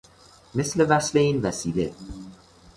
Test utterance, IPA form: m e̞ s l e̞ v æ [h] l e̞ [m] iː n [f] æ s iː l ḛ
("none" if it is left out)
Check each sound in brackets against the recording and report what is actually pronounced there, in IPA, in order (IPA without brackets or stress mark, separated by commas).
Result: s, none, v